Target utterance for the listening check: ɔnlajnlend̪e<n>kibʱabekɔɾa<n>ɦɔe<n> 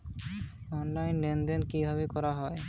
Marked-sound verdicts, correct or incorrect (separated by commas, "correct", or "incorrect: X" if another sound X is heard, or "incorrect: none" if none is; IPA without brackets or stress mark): correct, incorrect: none, incorrect: none